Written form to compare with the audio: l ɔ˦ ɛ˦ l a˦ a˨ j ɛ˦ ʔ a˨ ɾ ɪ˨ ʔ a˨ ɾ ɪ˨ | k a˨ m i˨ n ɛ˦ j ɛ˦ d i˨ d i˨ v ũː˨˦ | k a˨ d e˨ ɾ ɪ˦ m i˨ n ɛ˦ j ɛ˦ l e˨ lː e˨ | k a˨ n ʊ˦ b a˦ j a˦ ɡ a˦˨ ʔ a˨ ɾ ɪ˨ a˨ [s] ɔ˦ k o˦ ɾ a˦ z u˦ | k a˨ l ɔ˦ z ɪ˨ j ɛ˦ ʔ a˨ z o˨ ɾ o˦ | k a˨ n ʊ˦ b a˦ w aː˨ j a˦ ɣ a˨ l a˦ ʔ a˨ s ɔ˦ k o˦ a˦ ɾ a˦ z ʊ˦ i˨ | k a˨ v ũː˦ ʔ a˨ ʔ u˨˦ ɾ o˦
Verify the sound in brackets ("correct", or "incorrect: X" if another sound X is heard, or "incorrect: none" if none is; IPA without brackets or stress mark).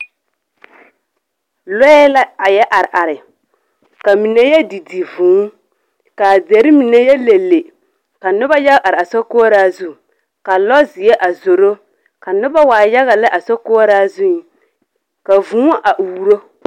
correct